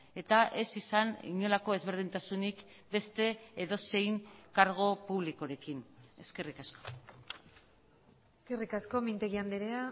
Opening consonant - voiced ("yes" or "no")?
no